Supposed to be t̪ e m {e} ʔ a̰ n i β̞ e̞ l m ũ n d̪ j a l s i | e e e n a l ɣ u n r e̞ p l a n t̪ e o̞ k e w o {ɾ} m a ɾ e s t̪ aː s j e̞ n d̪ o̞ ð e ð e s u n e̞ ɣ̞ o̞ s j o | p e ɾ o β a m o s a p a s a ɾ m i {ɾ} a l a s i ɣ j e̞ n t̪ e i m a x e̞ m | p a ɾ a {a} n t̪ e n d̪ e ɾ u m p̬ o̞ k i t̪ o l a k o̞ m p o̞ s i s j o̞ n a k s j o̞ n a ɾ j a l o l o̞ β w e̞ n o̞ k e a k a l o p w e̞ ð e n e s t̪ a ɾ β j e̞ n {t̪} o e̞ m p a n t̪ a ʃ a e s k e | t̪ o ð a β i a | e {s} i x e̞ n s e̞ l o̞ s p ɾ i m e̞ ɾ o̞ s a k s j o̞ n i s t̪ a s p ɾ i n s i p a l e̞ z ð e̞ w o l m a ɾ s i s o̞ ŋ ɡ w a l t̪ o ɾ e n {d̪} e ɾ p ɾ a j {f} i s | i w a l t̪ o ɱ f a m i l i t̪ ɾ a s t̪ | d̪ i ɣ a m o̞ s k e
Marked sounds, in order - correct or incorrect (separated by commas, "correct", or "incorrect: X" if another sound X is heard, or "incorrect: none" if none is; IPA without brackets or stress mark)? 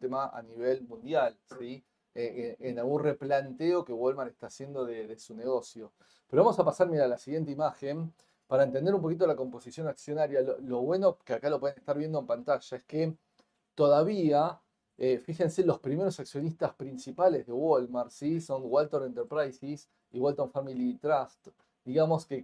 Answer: incorrect: a, incorrect: l, correct, incorrect: e, incorrect: d̪, incorrect: f, incorrect: t̪, incorrect: s